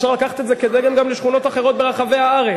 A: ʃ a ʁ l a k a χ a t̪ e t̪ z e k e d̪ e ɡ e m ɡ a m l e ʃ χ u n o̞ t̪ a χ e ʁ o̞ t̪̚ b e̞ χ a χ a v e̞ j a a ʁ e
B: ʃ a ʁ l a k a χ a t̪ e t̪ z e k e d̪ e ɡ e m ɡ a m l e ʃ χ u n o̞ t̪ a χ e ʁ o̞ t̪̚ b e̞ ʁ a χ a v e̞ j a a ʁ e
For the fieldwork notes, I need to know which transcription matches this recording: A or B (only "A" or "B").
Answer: B